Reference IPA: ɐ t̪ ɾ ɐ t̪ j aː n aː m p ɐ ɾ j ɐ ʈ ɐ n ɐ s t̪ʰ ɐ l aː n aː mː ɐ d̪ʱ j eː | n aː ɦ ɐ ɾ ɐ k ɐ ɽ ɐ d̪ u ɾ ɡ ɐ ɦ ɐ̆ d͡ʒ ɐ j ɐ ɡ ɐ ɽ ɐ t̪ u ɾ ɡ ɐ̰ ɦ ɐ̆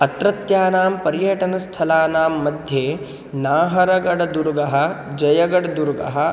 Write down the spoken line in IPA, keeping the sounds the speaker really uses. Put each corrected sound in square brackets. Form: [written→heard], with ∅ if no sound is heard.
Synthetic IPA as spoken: ɐ t̪ ɾ ɐ t̪ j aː n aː m p ɐ ɾ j ɐ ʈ ɐ n ɐ s t̪ʰ ɐ l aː n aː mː ɐ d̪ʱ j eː | n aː ɦ ɐ ɾ ɐ [k→ɡ] ɐ ɽ ɐ d̪ u ɾ ɡ ɐ ɦ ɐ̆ d͡ʒ ɐ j ɐ ɡ ɐ ɽ ɐ [t̪→d̪] u ɾ ɡ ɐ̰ ɦ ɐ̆

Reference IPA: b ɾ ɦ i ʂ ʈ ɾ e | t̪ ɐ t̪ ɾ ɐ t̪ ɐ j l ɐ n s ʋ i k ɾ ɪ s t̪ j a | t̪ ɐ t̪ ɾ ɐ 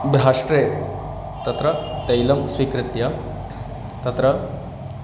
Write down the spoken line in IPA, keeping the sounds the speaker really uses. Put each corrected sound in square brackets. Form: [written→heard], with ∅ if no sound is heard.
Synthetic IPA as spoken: b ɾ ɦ [i→a] ʂ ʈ ɾ e | t̪ ɐ t̪ ɾ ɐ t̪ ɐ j l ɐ [n→m] s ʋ i k ɾ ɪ [s→∅] t̪ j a | t̪ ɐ t̪ ɾ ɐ

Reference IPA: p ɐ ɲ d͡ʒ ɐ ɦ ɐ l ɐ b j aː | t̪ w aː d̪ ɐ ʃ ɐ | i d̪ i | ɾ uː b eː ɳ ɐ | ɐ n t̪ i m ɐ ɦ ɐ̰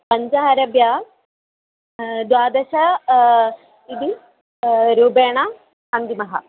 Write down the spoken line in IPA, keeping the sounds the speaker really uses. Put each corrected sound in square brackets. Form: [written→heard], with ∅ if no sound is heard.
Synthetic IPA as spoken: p ɐ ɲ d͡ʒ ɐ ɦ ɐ [l→ɾ] ɐ b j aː | [t̪→d̪] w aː d̪ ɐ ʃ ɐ | i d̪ i | ɾ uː b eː ɳ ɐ | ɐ n [t̪→d̪] i m ɐ ɦ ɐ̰

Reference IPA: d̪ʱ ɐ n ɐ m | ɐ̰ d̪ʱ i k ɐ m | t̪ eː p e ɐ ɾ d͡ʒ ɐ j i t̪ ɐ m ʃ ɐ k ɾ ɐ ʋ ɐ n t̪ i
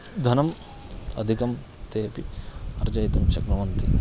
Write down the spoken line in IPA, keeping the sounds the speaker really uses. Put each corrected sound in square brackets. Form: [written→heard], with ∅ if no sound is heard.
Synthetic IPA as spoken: d̪ʱ ɐ n ɐ m | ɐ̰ d̪ʱ i k ɐ m | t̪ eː p [e→i] ɐ ɾ d͡ʒ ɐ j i t̪ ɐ m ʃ ɐ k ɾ ɐ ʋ ɐ n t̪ i

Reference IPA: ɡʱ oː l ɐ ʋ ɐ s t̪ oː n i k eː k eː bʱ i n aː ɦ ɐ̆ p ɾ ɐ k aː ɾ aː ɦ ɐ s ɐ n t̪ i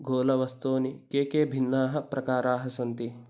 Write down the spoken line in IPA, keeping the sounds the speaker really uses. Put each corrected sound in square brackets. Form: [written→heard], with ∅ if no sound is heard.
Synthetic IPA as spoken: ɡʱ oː l ɐ ʋ ɐ s t̪ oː n i k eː k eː bʱ i [n→nː] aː ɦ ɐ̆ p ɾ ɐ k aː ɾ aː ɦ ɐ s ɐ n t̪ i

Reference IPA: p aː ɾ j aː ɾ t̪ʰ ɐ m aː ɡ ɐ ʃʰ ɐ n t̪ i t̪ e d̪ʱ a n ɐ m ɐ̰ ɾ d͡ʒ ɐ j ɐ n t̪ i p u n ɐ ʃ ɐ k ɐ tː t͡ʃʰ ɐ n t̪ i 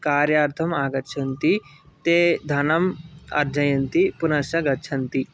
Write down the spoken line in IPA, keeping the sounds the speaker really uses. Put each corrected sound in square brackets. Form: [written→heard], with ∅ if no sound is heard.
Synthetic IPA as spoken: [p→k] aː ɾ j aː ɾ t̪ʰ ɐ m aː ɡ ɐ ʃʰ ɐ n t̪ i t̪ e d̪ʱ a n ɐ m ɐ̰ ɾ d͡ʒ ɐ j ɐ n t̪ i p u n ɐ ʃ ɐ [k→ɡ] ɐ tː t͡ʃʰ ɐ n t̪ i

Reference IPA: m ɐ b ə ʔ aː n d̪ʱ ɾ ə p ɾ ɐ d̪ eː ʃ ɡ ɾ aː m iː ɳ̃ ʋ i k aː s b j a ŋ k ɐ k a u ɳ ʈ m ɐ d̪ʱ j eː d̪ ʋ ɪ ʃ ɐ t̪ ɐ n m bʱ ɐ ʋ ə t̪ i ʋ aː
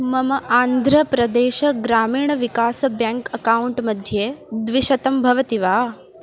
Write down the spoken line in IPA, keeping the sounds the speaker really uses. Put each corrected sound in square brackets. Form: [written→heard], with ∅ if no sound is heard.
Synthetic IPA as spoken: m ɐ [b→m] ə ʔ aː n d̪ʱ ɾ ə p ɾ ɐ d̪ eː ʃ ɡ ɾ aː m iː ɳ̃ ʋ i k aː s b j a ŋ k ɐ k a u ɳ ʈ m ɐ d̪ʱ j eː d̪ ʋ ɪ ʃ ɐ t̪ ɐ [n→∅] m bʱ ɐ ʋ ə t̪ i ʋ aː

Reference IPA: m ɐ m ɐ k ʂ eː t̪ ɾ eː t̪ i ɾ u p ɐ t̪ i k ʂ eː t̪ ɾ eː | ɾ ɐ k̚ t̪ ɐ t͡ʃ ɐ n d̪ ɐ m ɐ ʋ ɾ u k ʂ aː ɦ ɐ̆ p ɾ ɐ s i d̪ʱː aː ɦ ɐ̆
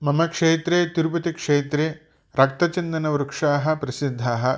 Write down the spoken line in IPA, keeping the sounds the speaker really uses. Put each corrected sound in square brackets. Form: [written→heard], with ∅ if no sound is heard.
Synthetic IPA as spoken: m ɐ m ɐ k ʂ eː t̪ ɾ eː t̪ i ɾ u p ɐ t̪ i k ʂ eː t̪ ɾ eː | ɾ ɐ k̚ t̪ ɐ t͡ʃ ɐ n d̪ ɐ [m→n] ɐ ʋ ɾ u k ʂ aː ɦ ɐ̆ p ɾ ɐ s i d̪ʱː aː ɦ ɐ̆

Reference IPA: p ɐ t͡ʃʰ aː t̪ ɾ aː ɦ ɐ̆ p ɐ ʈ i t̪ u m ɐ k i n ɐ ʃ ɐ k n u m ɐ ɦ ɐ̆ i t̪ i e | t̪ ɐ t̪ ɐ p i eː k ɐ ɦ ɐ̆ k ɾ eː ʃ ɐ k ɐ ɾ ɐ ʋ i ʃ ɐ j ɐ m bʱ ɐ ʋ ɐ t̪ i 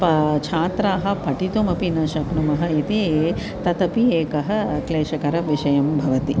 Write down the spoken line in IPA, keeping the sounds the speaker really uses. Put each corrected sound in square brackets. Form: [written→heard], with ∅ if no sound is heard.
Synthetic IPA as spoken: p ɐ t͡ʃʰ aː t̪ ɾ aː ɦ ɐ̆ p ɐ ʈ i t̪ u m ɐ [k→p] i n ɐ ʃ ɐ k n u m ɐ ɦ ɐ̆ i t̪ i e | t̪ ɐ t̪ ɐ p i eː k ɐ ɦ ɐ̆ k [ɾ→l] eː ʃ ɐ k ɐ ɾ ɐ ʋ i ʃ ɐ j ɐ m bʱ ɐ ʋ ɐ t̪ i

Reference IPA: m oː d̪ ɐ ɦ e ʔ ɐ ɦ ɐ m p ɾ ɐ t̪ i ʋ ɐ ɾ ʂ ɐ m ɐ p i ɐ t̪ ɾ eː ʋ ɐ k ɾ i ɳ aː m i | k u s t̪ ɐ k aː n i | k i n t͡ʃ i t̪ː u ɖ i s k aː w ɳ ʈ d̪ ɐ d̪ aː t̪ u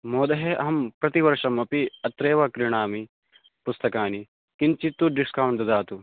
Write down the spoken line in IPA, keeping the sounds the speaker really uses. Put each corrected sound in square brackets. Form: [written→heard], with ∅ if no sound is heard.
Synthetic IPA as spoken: m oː d̪ ɐ ɦ e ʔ ɐ ɦ ɐ m p ɾ ɐ t̪ i ʋ ɐ ɾ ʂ ɐ m ɐ p i ɐ t̪ ɾ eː ʋ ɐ k ɾ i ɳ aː m i | [k→p] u s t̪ ɐ k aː n i | k i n t͡ʃ i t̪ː u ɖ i s k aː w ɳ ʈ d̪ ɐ d̪ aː t̪ u

